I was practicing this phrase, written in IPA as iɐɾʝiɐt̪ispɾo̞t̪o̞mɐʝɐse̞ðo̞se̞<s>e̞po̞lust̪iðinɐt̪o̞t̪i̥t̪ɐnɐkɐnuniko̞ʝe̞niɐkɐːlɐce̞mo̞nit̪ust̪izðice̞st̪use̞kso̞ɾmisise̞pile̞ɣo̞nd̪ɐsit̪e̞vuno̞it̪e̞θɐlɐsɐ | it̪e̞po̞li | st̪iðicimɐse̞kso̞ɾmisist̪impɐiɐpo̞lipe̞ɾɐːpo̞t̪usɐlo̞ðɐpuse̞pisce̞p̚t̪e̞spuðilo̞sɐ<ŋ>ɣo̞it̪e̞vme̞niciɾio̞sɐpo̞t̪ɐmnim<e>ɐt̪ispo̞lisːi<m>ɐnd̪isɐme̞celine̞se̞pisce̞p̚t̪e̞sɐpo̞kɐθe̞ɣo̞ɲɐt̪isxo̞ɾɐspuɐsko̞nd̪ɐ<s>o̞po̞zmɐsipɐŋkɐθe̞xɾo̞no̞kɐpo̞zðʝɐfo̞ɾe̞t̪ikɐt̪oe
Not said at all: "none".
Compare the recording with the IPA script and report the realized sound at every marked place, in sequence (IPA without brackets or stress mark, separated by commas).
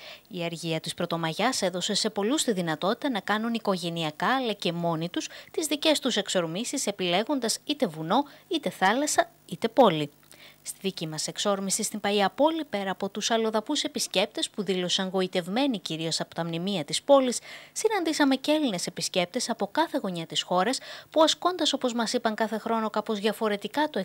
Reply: s, ŋ, i, n, s